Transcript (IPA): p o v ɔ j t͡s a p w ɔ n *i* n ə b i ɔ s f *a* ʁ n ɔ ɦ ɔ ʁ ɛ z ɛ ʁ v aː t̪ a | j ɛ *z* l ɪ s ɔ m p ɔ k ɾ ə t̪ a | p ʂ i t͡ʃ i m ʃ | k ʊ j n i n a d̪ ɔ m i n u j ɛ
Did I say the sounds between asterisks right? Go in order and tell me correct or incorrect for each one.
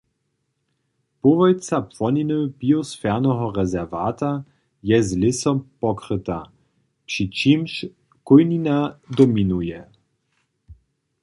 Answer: correct, incorrect, correct

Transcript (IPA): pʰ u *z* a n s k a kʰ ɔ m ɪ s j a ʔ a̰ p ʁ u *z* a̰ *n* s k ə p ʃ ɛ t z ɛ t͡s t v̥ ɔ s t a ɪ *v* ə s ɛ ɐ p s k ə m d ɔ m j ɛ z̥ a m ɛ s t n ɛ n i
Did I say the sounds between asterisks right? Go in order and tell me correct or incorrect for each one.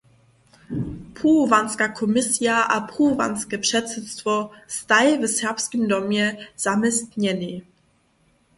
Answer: incorrect, incorrect, correct, correct

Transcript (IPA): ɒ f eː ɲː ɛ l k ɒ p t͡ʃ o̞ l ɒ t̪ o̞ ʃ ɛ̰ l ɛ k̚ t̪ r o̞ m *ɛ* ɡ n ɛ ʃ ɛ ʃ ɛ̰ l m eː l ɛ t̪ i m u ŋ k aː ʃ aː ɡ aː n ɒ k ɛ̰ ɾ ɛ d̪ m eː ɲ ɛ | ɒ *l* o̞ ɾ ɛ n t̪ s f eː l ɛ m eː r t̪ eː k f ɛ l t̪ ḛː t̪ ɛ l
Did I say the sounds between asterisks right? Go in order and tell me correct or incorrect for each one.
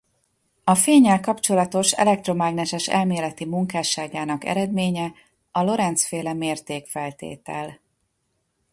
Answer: incorrect, correct

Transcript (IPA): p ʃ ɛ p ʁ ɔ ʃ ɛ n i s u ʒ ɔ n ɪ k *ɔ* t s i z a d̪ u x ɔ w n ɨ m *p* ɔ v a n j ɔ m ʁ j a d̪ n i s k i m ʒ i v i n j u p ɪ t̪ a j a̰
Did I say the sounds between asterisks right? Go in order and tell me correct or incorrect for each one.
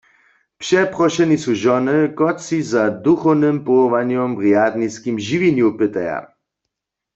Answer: correct, correct

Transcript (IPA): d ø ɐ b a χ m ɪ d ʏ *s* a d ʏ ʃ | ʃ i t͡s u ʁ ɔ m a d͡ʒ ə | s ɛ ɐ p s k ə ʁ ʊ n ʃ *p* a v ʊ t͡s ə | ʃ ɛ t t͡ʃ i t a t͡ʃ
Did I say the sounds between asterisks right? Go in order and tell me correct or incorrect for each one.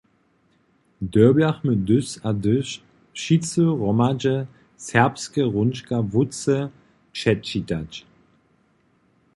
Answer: correct, incorrect

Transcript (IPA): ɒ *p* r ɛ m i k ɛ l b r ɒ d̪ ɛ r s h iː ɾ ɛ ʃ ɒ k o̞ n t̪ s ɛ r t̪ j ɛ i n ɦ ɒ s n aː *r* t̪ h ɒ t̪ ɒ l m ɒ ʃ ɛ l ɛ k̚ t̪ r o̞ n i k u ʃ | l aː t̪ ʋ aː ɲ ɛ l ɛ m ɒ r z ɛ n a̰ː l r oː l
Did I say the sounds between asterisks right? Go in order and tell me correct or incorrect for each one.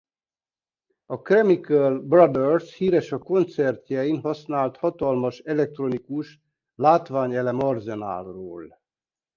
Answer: incorrect, incorrect

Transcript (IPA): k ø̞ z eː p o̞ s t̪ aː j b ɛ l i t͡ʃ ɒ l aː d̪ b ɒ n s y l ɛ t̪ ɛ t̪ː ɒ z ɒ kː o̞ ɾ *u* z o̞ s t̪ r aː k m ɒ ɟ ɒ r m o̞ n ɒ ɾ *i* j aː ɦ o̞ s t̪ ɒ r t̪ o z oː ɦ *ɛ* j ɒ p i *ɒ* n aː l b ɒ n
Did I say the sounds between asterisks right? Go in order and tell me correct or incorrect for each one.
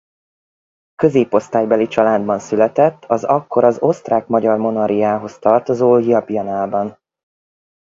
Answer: incorrect, correct, incorrect, correct

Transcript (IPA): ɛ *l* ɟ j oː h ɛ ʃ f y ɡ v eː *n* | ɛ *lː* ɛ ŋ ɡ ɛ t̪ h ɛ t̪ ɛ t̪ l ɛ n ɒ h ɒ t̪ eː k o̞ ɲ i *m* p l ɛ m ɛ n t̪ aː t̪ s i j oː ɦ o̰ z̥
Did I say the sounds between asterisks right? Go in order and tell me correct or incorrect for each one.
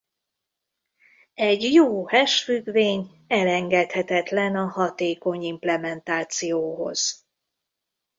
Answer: incorrect, incorrect, incorrect, correct

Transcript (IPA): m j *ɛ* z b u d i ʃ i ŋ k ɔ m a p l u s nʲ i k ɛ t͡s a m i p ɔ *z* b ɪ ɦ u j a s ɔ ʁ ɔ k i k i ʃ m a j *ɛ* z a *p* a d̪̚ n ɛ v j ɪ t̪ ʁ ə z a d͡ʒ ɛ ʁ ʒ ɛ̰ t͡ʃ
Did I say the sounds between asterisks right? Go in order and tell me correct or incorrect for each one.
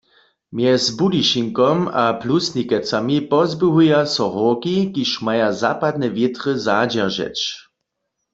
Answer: correct, correct, incorrect, correct

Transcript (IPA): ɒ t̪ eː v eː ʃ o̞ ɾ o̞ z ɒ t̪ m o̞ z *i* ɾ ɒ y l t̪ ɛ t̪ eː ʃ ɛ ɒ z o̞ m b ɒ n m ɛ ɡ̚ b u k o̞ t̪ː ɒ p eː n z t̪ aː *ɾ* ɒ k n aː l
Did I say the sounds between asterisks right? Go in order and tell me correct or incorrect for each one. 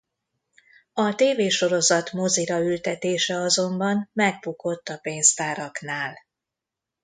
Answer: correct, correct

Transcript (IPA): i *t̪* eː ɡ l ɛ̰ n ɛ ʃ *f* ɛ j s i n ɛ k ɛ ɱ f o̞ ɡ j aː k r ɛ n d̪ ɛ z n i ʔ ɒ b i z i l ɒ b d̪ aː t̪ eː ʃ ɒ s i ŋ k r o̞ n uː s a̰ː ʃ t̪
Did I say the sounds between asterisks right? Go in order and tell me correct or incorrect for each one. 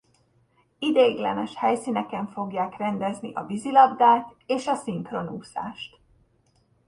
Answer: incorrect, incorrect

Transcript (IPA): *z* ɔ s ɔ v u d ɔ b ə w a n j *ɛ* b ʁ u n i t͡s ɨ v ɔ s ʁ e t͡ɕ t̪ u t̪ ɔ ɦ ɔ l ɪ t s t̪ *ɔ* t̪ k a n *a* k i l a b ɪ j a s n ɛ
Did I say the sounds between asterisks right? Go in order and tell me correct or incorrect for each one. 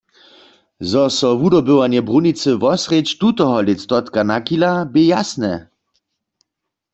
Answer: correct, correct, correct, correct

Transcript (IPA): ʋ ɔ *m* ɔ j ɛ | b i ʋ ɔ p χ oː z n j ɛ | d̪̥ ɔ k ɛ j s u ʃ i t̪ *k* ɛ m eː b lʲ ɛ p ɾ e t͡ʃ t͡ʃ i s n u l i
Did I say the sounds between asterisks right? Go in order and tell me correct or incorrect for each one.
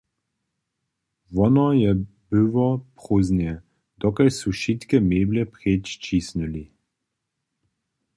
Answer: incorrect, correct

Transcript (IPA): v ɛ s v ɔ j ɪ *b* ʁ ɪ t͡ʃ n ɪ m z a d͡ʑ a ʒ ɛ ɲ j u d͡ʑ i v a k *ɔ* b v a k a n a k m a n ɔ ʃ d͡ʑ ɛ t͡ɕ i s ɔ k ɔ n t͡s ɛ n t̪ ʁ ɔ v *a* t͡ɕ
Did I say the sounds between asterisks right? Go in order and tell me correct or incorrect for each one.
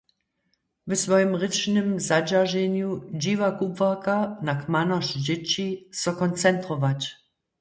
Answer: incorrect, incorrect, correct

